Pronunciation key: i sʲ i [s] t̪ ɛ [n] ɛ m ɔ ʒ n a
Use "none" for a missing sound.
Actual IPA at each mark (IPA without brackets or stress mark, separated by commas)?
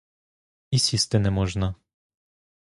s, n